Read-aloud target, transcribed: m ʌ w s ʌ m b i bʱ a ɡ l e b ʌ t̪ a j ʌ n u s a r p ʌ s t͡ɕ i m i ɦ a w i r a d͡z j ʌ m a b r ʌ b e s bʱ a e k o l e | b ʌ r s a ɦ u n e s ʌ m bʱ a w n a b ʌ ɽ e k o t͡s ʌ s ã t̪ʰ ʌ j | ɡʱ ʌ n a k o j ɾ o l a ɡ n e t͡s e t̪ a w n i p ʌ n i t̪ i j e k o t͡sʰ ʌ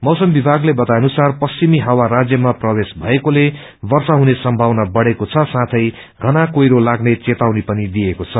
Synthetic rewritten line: m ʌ w s ʌ m b i bʱ a ɡ l e b ʌ t̪ a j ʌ n u s a r p ʌ s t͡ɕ i m i ɦ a w a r a d͡z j ʌ m a p r ʌ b e s bʱ ʌ e k o l e | b ʌ r s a ɦ u n e s ʌ m bʱ a w n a b ʌ ɽ e k o t͡sʰ ʌ s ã t̪ʰ ʌ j | ɡʱ ʌ n a k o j ɾ o l a ɡ n e t͡s e t̪ a w n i p ʌ n i d̪ i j e k o t͡sʰ ʌ